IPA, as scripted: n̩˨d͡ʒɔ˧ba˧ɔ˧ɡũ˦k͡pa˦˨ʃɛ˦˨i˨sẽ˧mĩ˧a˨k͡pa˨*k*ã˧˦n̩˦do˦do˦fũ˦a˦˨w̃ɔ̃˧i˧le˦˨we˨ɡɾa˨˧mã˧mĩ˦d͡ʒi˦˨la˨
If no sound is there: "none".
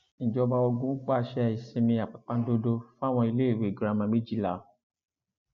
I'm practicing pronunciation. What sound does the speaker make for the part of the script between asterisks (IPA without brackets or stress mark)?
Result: k͡p